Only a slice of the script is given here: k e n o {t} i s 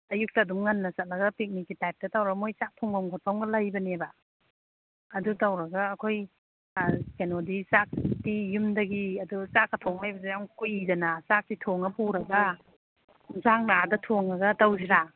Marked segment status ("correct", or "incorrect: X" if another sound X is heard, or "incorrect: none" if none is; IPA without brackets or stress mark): incorrect: d